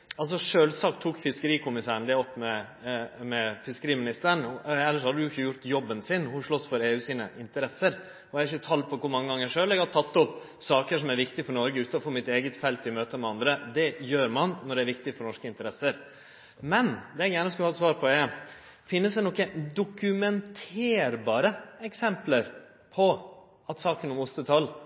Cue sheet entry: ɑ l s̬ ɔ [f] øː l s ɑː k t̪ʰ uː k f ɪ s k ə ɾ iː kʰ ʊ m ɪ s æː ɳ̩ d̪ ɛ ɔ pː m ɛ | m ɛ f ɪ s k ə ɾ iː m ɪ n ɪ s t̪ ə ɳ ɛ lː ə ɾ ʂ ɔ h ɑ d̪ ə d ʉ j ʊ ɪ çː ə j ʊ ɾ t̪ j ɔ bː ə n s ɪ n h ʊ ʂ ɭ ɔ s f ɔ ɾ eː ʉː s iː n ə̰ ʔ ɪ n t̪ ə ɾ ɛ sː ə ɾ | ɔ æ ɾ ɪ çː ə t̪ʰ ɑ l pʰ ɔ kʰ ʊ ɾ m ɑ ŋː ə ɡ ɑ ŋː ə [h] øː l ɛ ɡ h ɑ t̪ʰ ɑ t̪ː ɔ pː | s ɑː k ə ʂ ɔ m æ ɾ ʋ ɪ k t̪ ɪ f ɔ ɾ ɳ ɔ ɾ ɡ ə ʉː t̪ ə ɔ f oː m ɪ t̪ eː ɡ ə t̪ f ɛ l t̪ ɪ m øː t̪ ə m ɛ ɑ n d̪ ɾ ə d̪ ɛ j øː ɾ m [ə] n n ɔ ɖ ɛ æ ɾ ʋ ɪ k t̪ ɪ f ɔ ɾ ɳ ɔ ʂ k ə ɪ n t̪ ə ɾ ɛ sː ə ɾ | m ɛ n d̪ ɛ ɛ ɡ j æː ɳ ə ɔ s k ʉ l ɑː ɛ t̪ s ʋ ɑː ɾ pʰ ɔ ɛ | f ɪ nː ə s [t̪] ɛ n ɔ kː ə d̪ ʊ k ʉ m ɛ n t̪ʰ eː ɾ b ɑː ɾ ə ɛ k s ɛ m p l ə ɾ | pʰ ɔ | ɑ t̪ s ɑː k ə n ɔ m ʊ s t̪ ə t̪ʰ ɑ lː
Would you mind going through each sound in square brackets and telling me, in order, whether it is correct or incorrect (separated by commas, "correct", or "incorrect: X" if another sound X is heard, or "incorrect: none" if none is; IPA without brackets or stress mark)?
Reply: incorrect: ʂ, incorrect: ʂ, incorrect: ɑ, incorrect: d̪